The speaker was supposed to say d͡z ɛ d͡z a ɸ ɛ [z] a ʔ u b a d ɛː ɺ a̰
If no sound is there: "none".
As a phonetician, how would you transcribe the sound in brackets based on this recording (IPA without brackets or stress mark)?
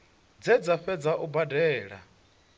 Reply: d͡z